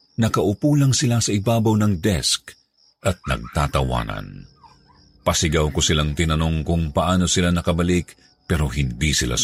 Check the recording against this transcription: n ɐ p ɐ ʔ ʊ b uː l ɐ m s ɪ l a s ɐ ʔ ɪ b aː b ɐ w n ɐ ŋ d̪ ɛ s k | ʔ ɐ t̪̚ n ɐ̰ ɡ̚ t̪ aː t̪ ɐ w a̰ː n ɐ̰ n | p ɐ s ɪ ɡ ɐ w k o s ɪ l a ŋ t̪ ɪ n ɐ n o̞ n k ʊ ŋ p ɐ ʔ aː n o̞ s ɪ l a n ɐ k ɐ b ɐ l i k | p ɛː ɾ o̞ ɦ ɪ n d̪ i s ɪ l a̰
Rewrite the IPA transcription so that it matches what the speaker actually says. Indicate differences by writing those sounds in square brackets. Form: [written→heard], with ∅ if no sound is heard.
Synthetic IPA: n ɐ [p→k] ɐ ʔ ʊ [b→p] uː l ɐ [m→ŋ] s ɪ l a s ɐ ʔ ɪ b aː b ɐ w n ɐ ŋ d̪ ɛ s k | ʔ ɐ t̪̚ n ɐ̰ ɡ̚ t̪ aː t̪ ɐ w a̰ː n ɐ̰ n | p ɐ s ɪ ɡ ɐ w k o s ɪ l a ŋ t̪ ɪ n ɐ n o̞ [n→ŋ] k ʊ ŋ p ɐ ʔ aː n o̞ s ɪ l a n ɐ k ɐ b ɐ l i k | p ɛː ɾ o̞ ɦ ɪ n d̪ i s ɪ l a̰